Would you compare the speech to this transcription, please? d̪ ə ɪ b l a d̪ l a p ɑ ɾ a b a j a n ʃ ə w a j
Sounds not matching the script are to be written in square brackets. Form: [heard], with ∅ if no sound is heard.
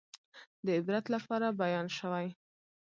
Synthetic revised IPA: d̪ ə ɪ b [ɾ] a [t̪] l a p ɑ ɾ a b a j [ɑ] n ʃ ə w a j